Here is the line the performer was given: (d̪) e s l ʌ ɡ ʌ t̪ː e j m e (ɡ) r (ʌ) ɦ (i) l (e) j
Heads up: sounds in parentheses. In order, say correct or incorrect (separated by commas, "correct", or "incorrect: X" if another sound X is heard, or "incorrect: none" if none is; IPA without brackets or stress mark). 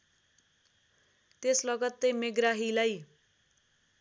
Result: incorrect: t̪, correct, incorrect: a, correct, incorrect: a